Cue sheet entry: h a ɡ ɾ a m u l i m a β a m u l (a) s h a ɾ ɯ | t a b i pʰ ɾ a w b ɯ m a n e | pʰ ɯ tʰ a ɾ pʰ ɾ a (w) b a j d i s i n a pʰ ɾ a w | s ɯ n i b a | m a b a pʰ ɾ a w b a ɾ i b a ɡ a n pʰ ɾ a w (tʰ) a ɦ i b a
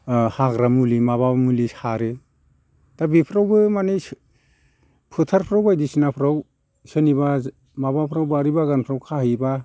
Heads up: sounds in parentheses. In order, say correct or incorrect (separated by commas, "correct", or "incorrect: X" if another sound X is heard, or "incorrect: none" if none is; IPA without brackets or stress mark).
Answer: incorrect: i, correct, incorrect: kʰ